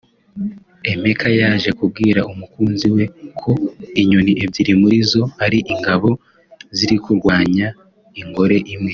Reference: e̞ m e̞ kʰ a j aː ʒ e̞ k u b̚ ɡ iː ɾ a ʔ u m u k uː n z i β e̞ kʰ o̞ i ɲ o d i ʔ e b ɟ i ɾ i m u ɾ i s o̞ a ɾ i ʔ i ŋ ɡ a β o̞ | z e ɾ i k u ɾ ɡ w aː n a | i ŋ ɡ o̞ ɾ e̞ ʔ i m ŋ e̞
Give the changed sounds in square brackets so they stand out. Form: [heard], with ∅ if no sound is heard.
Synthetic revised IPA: e̞ m e̞ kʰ a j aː ʒ e̞ k u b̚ ɡ iː ɾ a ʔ u m u k uː n z i [w] e̞ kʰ o̞ i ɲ o [n] i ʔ e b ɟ i ɾ i m u ɾ i [z] o̞ a ɾ i ʔ i ŋ ɡ a β o̞ | z [i] ɾ i k u ɾ ɡ w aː [ɲ] a | i ŋ ɡ o̞ ɾ e̞ ʔ i m ŋ e̞